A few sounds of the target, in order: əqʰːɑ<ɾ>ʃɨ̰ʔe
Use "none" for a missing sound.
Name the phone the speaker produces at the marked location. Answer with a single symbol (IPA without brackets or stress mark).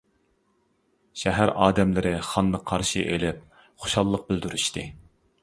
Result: ɾ